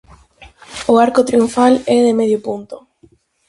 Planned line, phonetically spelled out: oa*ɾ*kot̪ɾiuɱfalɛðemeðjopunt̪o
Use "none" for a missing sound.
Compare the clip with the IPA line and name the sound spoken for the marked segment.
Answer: ɾ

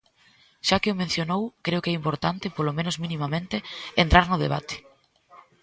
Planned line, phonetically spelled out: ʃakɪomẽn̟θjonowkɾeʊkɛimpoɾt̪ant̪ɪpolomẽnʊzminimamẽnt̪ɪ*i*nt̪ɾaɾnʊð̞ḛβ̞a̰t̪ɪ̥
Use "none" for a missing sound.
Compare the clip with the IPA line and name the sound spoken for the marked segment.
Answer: e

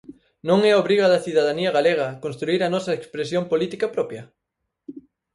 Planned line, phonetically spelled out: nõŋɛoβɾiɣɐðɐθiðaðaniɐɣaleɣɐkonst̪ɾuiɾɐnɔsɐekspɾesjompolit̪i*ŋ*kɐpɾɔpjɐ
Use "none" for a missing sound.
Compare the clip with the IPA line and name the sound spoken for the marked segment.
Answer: none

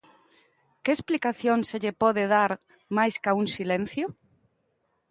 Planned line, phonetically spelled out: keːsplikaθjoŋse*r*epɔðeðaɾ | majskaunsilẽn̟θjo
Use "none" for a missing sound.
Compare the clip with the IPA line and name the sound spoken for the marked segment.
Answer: ʎ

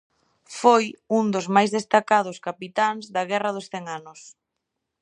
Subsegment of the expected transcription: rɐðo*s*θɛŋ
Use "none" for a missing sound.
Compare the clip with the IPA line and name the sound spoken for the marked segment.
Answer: s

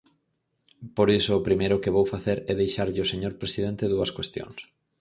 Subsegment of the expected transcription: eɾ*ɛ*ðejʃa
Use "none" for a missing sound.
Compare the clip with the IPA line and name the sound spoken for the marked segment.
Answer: ɛ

